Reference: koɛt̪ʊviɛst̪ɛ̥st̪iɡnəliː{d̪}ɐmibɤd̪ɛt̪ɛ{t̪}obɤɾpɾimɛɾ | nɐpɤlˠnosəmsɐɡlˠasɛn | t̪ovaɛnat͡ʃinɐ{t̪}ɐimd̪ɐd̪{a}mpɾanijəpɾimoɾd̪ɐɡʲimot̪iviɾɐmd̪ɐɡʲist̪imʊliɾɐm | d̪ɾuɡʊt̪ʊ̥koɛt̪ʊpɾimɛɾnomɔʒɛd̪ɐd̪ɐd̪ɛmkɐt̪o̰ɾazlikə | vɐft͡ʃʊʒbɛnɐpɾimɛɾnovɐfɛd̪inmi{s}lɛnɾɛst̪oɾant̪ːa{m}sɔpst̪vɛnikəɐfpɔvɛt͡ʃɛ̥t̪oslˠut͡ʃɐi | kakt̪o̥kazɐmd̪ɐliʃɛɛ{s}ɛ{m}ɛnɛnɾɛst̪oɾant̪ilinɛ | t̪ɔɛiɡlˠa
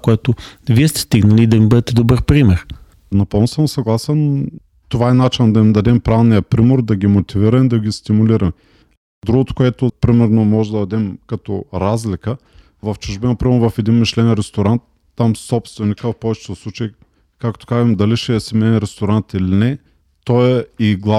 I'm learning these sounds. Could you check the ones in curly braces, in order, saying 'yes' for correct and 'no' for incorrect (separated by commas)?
yes, no, no, no, no, yes, yes, yes